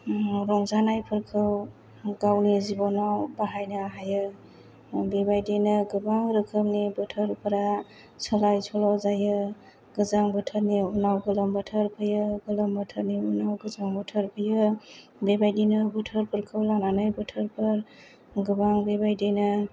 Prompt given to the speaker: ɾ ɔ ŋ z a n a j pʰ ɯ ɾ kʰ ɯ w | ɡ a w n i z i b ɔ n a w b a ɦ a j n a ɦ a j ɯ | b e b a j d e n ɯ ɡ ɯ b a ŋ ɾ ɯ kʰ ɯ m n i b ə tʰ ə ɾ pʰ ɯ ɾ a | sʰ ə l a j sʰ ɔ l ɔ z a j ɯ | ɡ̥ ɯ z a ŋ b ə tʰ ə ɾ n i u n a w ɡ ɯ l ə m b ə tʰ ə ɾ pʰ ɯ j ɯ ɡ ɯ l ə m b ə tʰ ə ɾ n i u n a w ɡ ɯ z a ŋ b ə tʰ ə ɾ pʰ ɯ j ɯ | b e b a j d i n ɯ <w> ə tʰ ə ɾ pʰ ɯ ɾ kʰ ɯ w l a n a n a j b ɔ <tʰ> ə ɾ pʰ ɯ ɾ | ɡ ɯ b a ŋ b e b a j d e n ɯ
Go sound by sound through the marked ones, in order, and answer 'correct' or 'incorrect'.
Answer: incorrect: b, correct

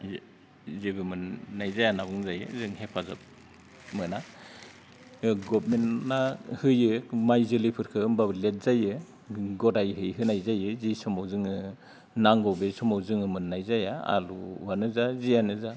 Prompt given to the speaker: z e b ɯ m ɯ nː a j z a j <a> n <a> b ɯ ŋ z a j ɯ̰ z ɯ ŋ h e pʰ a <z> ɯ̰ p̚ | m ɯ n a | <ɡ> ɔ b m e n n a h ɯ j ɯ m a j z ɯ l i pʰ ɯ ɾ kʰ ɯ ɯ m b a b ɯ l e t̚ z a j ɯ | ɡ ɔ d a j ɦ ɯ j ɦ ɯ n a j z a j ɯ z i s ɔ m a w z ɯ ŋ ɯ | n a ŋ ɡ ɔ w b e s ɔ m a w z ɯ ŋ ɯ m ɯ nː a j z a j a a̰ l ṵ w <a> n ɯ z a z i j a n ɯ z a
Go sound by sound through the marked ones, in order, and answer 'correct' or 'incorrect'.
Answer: correct, correct, correct, correct, correct

